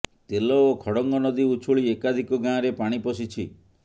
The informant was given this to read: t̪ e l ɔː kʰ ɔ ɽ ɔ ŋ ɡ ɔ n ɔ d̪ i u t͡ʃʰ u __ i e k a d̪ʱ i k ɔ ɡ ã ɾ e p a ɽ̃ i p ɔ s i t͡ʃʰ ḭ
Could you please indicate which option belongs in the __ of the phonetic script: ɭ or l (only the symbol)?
ɭ